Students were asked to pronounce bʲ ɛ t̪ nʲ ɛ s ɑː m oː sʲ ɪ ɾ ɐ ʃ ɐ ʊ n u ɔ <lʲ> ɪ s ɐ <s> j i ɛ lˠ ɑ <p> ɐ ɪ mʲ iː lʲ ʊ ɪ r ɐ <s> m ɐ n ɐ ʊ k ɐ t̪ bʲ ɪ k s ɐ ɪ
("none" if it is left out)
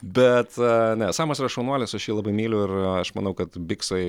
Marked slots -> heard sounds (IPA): lʲ, ʃ, b, ʃ

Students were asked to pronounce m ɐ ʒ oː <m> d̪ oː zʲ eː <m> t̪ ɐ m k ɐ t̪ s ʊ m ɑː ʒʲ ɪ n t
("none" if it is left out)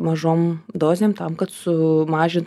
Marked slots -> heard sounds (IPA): m, m

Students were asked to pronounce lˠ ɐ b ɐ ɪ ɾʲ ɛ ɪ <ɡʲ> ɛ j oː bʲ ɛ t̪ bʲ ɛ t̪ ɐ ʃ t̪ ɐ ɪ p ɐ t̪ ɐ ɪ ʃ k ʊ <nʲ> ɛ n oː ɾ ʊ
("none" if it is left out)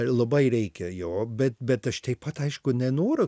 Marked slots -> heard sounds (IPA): kʲ, nʲ

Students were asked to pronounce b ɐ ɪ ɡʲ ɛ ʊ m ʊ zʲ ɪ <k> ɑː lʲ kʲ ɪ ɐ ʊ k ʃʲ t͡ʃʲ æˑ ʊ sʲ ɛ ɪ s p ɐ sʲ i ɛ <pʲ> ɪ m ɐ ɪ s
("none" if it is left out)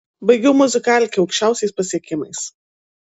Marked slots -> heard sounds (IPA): k, kʲ

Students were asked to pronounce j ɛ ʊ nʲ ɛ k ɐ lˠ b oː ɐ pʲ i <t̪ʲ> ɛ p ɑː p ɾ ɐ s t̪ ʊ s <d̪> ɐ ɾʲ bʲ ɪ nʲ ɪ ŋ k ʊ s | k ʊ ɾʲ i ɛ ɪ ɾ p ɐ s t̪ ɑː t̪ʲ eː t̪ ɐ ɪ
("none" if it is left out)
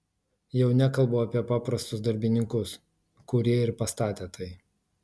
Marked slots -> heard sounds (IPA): none, d̪

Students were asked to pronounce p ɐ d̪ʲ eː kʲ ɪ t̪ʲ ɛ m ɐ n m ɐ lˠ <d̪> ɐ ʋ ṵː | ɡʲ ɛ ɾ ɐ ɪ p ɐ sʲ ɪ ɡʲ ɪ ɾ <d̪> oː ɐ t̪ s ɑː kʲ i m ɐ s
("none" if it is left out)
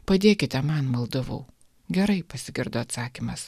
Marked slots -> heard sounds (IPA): d̪, d̪

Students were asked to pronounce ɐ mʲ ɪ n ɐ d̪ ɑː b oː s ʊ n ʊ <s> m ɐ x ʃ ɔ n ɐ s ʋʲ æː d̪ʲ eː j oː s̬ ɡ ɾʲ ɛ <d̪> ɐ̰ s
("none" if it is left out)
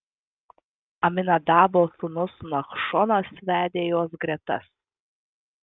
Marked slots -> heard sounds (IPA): s, t̪

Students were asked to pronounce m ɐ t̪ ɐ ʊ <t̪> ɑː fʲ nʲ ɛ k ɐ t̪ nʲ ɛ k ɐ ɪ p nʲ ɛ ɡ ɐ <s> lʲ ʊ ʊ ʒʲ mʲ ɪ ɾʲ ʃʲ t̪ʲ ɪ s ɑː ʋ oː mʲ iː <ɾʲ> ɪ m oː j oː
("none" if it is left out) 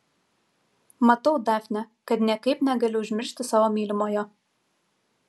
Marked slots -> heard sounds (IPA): d̪, none, lʲ

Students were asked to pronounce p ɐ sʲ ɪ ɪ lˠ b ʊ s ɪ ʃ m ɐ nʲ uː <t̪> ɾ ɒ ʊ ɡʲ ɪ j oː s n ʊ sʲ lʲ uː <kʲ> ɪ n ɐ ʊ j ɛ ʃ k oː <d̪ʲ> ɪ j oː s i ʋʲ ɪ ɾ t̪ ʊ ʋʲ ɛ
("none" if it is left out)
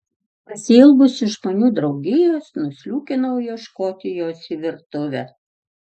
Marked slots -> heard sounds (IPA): d̪, kʲ, t̪ʲ

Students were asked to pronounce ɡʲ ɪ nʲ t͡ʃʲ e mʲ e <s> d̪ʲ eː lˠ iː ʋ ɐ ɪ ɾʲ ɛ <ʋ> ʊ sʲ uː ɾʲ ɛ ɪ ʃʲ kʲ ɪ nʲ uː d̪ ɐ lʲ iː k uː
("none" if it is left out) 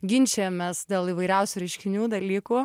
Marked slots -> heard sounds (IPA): s, none

